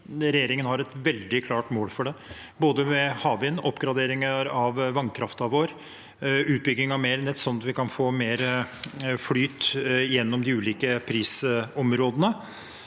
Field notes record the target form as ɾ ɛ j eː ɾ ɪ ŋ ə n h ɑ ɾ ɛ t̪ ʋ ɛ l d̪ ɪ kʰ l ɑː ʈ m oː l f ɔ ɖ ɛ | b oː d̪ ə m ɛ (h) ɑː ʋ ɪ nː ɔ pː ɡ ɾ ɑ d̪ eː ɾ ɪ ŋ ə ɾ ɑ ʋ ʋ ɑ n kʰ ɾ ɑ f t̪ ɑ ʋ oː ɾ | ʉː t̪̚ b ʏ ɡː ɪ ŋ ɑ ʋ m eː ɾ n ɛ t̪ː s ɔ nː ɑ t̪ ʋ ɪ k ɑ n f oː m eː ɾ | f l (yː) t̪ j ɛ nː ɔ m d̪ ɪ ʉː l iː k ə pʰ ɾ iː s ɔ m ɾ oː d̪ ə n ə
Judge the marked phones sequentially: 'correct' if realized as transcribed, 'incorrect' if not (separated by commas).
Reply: correct, correct